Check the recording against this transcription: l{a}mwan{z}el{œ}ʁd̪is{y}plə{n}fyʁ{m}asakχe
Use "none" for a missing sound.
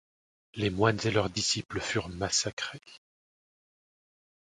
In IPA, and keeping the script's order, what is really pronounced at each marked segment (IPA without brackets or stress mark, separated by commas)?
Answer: e, z, œ, i, none, m